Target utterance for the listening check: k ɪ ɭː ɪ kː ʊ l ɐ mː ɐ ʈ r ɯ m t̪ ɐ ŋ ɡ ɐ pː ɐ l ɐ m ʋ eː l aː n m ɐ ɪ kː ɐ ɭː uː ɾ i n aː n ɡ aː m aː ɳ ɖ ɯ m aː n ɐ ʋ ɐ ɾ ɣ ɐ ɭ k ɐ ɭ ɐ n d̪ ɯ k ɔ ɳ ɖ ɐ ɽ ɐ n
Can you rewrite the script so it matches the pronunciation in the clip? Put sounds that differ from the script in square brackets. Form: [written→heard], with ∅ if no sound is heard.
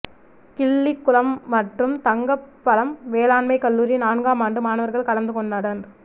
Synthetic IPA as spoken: k ɪ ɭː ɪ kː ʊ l ɐ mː ɐ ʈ r ɯ m t̪ ɐ ŋ ɡ ɐ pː ɐ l ɐ m ʋ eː l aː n m ɐ ɪ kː ɐ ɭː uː ɾ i n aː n ɡ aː m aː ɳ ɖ ɯ m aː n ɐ ʋ ɐ ɾ ɣ ɐ ɭ k ɐ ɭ ɐ n d̪ ɯ k ɔ ɳ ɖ ɐ ɽ ɐ n

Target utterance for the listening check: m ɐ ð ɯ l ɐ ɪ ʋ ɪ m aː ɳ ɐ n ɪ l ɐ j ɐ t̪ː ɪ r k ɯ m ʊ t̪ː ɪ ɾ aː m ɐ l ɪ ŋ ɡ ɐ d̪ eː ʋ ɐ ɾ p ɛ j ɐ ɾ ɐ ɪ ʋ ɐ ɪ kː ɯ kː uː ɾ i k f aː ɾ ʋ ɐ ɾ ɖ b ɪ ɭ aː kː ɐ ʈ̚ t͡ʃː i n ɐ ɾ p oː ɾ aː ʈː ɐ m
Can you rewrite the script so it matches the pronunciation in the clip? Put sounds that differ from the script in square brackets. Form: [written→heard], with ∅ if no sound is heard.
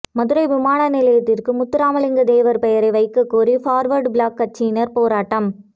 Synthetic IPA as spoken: m ɐ ð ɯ [l→ɾ] ɐ ɪ ʋ ɪ m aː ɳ ɐ n ɪ l ɐ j ɐ t̪ː ɪ r k ɯ m ʊ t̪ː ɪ ɾ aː m ɐ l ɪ ŋ ɡ ɐ d̪ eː ʋ ɐ ɾ p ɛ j ɐ ɾ ɐ ɪ ʋ ɐ ɪ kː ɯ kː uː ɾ i [k→∅] f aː ɾ ʋ ɐ ɾ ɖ b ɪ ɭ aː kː ɐ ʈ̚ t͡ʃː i n ɐ ɾ p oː ɾ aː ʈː ɐ m

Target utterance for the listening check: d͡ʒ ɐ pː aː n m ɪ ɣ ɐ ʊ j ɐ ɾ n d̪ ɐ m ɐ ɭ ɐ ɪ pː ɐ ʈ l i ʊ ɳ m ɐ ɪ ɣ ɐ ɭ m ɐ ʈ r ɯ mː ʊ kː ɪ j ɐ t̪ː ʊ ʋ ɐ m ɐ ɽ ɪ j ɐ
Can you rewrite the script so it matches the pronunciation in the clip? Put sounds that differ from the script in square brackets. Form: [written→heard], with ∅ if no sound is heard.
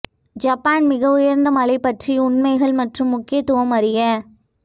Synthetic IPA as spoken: d͡ʒ ɐ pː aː n m ɪ ɣ ɐ ʊ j ɐ ɾ n d̪ ɐ m ɐ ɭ ɐ ɪ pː ɐ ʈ [l→r] i ʊ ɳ m ɐ ɪ ɣ ɐ ɭ m ɐ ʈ r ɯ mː ʊ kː ɪ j ɐ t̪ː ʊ ʋ ɐ m ɐ [ɽ→ɾ] ɪ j ɐ

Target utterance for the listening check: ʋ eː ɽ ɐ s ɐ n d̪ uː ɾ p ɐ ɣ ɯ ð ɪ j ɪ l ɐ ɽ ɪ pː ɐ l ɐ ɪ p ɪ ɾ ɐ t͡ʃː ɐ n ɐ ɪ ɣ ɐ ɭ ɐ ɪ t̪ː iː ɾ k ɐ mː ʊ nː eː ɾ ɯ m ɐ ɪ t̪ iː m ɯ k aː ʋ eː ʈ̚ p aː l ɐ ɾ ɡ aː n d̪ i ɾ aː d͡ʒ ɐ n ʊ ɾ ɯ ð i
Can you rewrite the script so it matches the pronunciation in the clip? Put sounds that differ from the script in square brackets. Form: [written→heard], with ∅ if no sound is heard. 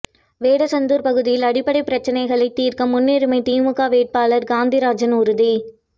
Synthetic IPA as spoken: ʋ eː ɽ ɐ s ɐ n d̪ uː ɾ p ɐ ɣ ɯ ð ɪ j ɪ l ɐ ɽ ɪ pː ɐ [l→ɽ] ɐ ɪ p ɪ ɾ ɐ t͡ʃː ɐ n ɐ ɪ ɣ ɐ ɭ ɐ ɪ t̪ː iː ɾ k ɐ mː ʊ nː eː ɾ ɯ m ɐ ɪ t̪ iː m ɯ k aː ʋ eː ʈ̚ p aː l ɐ ɾ ɡ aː n d̪ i ɾ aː d͡ʒ ɐ n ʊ ɾ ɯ ð i

